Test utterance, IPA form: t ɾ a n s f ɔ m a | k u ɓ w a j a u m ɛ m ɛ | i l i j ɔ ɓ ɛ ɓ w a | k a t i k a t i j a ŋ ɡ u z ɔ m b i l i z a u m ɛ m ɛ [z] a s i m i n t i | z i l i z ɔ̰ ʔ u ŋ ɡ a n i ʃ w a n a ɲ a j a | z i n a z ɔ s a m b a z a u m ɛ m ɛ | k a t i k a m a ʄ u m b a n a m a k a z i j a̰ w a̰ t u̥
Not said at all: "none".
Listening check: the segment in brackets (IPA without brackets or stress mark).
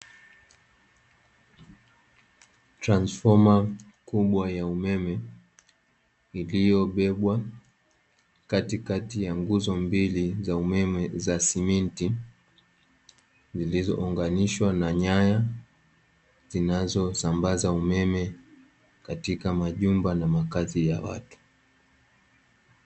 z